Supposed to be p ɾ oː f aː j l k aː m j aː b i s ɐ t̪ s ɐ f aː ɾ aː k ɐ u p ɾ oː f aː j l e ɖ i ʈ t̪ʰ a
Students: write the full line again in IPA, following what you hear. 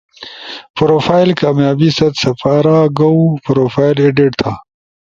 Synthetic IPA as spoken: p ɾ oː f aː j l k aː m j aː b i s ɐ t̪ s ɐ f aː ɾ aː ɡ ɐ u p ɾ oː f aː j l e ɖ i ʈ t̪ʰ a